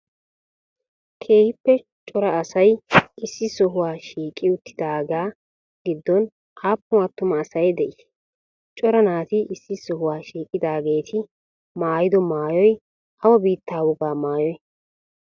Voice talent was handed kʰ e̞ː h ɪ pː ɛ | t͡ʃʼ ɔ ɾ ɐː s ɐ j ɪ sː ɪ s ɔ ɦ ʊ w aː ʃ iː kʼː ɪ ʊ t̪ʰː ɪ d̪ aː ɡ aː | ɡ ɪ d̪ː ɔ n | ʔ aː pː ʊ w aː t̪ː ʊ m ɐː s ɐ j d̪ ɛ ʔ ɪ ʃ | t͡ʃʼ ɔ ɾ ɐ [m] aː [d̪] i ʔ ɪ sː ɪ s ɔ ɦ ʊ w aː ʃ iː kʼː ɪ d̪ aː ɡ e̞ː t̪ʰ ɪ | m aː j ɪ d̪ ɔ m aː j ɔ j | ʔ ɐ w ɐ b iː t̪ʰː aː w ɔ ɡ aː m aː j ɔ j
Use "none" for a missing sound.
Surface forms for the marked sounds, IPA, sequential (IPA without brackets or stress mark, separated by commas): n, t̪